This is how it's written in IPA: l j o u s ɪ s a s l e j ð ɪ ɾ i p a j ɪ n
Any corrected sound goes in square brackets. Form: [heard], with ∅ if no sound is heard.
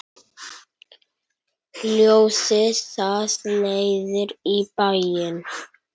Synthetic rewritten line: l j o [w] s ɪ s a s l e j ð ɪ ɾ i p a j ɪ n